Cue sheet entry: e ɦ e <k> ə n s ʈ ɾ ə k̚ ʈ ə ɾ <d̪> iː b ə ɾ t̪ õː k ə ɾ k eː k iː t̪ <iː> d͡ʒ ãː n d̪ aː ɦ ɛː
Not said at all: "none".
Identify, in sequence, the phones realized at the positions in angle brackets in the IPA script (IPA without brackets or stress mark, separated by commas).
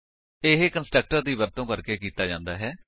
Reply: k, d̪, aː